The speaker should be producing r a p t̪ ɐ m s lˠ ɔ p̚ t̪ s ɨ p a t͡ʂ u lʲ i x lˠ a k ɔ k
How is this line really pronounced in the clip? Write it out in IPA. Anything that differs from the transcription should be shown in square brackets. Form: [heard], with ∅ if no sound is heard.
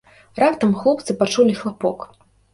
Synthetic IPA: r a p t̪ ɐ m [x] lˠ ɔ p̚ t̪ s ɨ p a t͡ʂ u lʲ i x lˠ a [p] ɔ k

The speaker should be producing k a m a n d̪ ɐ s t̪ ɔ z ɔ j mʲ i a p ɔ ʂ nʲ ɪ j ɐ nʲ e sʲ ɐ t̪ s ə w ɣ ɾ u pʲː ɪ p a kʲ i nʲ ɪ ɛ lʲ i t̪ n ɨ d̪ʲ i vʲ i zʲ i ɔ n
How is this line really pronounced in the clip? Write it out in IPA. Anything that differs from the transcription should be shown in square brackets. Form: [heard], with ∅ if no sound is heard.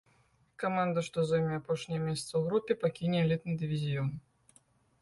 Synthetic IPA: k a m a n d̪ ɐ [ʂ] t̪ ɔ z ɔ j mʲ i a p ɔ ʂ nʲ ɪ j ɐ [mʲ] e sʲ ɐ t̪ s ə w ɣ ɾ u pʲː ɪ p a kʲ i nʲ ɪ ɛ lʲ i t̪ n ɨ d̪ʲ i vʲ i zʲ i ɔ n

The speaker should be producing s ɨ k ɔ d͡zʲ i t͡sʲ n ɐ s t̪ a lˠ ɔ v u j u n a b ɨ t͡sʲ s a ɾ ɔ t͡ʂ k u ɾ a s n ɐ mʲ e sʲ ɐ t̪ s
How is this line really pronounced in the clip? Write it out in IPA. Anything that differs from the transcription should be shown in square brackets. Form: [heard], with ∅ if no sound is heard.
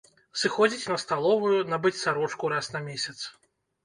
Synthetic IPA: s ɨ [x] ɔ d͡zʲ i t͡sʲ n ɐ s t̪ a lˠ ɔ v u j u n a b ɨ t͡sʲ s a ɾ ɔ t͡ʂ k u ɾ a s n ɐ mʲ e sʲ ɐ t̪ s

